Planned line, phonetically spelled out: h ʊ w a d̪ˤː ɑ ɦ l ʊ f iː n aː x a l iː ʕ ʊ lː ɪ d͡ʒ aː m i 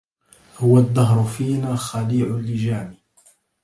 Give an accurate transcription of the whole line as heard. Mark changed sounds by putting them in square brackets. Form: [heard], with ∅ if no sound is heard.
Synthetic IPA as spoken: h ʊ w a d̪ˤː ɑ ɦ [ɾ] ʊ f iː n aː x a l iː ʕ ʊ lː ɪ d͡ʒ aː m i